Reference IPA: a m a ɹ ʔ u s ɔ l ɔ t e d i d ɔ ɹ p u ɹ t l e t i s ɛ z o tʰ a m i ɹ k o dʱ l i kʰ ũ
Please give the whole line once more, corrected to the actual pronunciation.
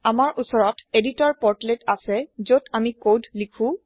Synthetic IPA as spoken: a m a ɹ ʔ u s ɔ ɹ ɔ t e d i t ɔ ɹ p ɔ ɹ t l e t a s ɛ z o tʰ a m i k o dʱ l i kʰ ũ